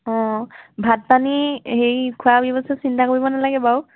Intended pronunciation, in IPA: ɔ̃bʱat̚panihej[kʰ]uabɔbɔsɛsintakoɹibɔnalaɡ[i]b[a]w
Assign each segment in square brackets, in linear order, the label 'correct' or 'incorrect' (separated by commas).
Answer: correct, incorrect, correct